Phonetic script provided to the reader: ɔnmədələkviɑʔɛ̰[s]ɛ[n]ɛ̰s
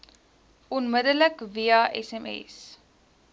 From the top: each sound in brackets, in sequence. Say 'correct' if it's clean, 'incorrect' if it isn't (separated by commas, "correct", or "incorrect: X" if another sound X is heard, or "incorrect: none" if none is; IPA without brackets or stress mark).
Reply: correct, incorrect: m